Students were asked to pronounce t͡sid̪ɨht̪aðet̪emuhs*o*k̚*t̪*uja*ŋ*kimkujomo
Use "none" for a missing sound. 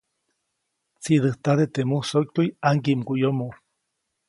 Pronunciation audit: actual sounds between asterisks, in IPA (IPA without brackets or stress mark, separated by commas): o, t̪, ŋ